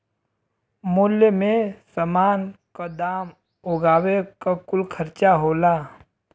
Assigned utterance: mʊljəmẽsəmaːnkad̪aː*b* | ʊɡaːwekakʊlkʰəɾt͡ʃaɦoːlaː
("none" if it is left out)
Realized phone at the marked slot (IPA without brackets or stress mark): m